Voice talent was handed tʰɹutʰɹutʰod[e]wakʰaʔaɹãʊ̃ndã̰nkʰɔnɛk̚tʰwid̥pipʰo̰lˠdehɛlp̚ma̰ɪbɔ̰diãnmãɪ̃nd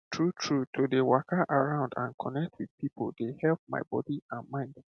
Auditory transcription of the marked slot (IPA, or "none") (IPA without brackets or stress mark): e